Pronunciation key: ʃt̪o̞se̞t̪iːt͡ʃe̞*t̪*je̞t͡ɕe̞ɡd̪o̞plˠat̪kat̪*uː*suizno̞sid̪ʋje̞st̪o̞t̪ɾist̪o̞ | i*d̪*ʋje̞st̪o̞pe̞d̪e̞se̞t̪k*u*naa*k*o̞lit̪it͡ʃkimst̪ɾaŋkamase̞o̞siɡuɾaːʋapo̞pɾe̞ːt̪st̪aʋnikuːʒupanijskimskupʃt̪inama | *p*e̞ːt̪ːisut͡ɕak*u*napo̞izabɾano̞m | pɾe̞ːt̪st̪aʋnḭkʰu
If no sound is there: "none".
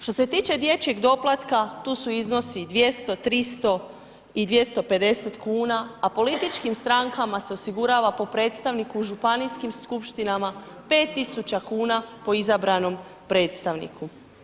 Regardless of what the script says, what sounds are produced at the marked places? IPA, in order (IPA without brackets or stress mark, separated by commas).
d̪, uː, d̪, uː, p, p, uː